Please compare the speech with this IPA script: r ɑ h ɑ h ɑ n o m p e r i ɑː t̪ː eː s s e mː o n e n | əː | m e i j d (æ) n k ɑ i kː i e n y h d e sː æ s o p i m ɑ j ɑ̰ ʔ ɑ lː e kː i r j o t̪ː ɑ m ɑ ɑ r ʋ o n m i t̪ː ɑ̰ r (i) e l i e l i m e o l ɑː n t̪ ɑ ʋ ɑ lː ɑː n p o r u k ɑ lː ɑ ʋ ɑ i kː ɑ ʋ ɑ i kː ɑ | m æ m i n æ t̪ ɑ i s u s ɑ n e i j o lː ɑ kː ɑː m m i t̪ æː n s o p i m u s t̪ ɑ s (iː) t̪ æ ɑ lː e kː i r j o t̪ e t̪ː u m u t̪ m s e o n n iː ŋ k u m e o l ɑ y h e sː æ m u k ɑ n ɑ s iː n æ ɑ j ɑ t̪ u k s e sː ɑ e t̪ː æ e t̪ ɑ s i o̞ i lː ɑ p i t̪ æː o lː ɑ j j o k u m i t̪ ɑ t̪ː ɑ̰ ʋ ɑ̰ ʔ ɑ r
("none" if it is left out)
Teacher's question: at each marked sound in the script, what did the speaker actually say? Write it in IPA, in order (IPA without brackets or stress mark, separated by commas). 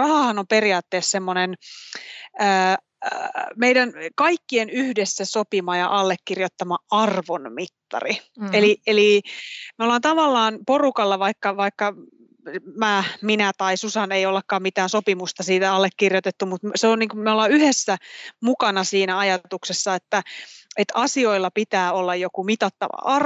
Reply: æ, i, iː